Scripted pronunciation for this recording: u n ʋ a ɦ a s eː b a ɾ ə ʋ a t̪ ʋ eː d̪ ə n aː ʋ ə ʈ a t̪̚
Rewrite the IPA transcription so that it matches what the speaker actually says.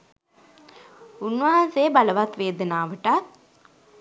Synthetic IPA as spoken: u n ʋ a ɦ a s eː b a l ə ʋ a t̪ ʋ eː d̪ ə n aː ʋ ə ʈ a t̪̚

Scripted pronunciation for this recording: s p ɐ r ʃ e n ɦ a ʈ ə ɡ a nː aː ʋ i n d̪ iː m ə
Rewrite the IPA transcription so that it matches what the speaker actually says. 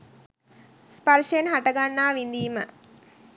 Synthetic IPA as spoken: s p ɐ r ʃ e n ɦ a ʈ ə ɡ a nː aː ʋ i n d̪ iː m ə

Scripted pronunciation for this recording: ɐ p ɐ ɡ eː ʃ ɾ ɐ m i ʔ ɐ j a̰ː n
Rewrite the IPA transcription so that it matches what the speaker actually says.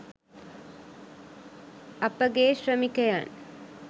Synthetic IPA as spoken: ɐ p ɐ ɡ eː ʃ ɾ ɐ m i k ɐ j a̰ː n

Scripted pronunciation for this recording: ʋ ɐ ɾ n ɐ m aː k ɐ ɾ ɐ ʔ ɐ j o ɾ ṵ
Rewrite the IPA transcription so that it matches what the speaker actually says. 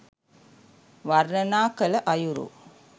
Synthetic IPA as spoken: ʋ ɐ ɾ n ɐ n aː k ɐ l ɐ ʔ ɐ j u ɾ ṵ

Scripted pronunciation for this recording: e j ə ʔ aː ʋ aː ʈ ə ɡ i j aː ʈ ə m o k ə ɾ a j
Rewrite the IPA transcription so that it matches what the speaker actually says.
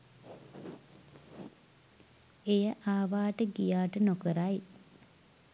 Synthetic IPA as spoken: e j ə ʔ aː ʋ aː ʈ ə ɡ i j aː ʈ ə n o k ə ɾ a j

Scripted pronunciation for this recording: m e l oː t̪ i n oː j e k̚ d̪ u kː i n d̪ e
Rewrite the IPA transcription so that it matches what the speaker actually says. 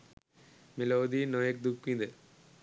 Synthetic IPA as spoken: m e l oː d̪ i n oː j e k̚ d̪ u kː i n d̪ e

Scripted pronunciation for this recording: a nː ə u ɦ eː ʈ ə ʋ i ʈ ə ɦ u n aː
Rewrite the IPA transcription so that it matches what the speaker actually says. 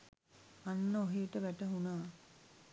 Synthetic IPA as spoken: a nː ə o ɦ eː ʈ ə ʋ æ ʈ ə ɦ u n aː

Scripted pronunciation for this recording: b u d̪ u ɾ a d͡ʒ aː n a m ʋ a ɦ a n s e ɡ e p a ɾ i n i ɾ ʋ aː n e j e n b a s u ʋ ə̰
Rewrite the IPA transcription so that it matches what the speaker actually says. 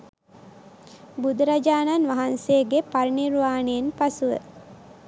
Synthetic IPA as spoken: b u d̪ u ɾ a d͡ʒ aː n a n ʋ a ɦ a n s e ɡ e p a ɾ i n i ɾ ʋ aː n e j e n p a s u ʋ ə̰

